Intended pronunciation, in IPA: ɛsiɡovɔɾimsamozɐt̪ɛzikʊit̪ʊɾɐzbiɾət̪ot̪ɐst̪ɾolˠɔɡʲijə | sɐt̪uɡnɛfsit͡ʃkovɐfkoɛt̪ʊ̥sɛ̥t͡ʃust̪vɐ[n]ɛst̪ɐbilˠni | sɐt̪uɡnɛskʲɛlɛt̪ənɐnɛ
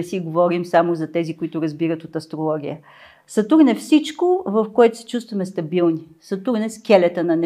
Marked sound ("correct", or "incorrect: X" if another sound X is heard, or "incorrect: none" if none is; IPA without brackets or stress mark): incorrect: m